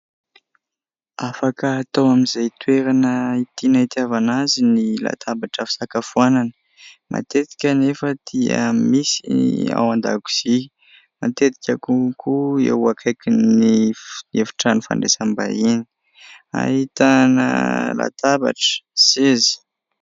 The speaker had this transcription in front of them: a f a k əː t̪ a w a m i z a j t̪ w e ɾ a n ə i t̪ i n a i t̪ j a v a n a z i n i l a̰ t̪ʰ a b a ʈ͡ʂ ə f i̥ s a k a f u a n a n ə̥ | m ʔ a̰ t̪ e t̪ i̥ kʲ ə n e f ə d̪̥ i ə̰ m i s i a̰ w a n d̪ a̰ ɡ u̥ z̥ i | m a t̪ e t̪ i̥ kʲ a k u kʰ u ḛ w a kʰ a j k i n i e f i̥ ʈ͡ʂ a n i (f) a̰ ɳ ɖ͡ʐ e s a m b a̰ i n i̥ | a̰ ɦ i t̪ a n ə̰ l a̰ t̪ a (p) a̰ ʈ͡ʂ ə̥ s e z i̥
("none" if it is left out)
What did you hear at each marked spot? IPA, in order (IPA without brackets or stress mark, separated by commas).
f, b